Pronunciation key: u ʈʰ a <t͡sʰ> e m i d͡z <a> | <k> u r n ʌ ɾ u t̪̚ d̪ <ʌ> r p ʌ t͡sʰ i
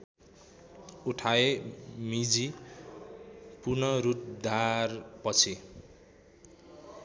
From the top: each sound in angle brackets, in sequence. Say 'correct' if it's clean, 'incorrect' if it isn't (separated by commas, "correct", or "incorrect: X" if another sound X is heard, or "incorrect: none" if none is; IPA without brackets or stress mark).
incorrect: none, incorrect: i, incorrect: p, incorrect: a